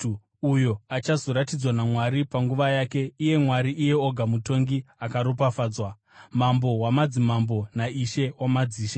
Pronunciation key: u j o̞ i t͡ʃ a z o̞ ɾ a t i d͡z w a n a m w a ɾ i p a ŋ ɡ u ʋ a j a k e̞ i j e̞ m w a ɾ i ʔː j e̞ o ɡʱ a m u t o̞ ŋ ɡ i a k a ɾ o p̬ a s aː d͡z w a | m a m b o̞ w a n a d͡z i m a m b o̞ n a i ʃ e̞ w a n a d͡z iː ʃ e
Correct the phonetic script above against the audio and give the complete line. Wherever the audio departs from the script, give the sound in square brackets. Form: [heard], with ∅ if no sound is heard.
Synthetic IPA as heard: u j o̞ [a] t͡ʃ a z o̞ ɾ a t i d͡z w a n a m w a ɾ i p a ŋ ɡ u ʋ a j a k e̞ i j e̞ m w a ɾ i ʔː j e̞ o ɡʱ a m u t o̞ ŋ ɡ i a k a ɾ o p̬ a [f] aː d͡z w a | m a m b o̞ w a [m] a d͡z i m a m b o̞ n a i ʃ e̞ w a [m] a d͡z iː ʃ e